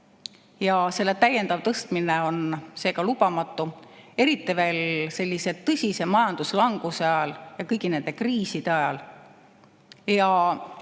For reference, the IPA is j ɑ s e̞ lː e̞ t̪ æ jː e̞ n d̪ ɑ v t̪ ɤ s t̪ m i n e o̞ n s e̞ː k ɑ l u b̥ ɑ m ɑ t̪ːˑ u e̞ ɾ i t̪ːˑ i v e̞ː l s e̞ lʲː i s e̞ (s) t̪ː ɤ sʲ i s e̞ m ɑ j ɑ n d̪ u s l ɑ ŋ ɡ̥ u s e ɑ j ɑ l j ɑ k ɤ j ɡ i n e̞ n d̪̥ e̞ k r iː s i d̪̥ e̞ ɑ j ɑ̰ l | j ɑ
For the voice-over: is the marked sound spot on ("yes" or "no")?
no